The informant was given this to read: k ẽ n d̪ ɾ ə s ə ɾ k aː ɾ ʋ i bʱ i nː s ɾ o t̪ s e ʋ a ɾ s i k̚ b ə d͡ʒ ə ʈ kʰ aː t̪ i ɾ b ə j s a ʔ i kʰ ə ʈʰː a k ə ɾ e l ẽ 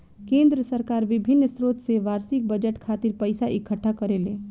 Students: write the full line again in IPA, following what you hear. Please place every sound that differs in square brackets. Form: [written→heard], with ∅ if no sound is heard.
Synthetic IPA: k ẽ n d̪ ɾ ə s ə ɾ k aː ɾ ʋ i bʱ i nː s ɾ o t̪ s e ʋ a ɾ s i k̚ b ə d͡ʒ ə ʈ kʰ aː t̪ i ɾ [b→p] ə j s a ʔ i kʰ ə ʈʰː a k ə ɾ e l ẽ